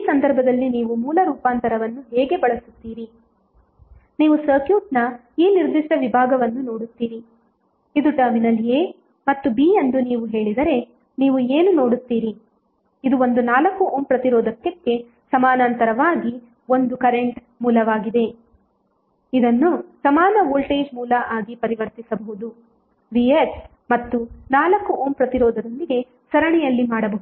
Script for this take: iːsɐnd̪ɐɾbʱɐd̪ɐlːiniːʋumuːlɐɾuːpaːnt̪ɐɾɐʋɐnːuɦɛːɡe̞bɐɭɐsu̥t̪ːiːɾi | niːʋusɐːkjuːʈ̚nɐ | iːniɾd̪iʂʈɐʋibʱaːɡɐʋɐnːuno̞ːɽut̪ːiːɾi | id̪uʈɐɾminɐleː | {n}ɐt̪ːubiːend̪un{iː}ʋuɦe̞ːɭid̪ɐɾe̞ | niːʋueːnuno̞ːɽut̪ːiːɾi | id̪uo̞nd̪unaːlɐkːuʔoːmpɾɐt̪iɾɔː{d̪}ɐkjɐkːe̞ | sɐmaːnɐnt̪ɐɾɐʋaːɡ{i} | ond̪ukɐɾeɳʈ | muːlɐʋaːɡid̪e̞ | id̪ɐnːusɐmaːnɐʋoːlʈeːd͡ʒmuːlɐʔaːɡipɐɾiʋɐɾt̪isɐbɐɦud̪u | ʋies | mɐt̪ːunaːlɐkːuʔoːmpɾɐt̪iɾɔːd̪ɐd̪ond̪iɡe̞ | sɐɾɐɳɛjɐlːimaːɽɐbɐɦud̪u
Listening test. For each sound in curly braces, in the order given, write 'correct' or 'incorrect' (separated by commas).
incorrect, correct, correct, correct